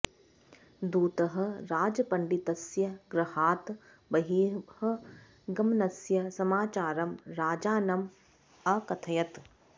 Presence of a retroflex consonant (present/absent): present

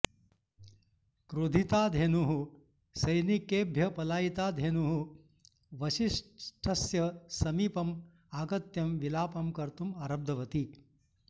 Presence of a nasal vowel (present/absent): absent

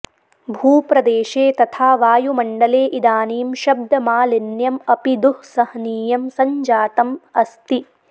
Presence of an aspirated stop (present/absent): present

